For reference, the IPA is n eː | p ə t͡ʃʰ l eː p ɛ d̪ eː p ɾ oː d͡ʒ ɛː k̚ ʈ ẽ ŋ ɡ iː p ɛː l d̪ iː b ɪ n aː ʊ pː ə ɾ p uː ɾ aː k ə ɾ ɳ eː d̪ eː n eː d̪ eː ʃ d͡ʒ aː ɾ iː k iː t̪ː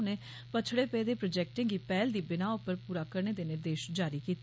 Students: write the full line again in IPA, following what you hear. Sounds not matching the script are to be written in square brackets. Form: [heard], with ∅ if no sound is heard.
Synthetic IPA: n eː | p ə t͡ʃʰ [ɽ] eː p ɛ d̪ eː p ɾ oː d͡ʒ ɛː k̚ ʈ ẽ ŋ ɡ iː p ɛː l d̪ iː b ɪ n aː ʊ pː ə ɾ p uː ɾ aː k ə ɾ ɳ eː d̪ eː n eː d̪ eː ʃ d͡ʒ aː ɾ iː k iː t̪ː